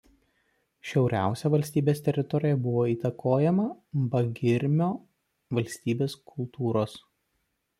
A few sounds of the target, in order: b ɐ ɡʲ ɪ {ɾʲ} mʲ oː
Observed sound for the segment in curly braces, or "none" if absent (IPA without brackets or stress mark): ɾʲ